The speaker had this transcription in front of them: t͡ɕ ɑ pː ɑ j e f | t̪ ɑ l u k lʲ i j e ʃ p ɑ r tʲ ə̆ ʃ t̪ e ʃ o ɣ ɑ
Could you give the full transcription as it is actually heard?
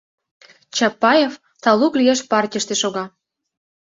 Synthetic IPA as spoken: t͡ɕ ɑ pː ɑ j e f | t̪ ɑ l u k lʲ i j e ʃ p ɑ r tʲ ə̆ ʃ t̪ e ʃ o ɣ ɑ